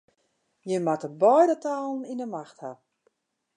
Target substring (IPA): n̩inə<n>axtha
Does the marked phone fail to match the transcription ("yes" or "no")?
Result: yes